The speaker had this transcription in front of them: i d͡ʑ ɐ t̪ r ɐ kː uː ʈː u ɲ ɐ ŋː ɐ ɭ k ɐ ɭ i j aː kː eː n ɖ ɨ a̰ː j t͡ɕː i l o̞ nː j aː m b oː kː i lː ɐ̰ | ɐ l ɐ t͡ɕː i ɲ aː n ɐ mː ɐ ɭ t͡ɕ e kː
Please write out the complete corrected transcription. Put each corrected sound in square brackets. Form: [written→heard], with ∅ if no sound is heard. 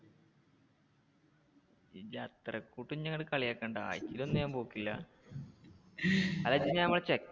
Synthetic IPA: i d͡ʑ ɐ t̪ r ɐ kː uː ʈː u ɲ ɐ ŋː ɐ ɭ k ɐ ɭ i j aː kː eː [n→ɳ] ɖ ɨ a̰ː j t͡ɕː i l o̞ nː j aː m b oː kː i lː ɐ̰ | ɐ l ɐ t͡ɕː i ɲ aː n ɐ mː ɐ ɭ t͡ɕ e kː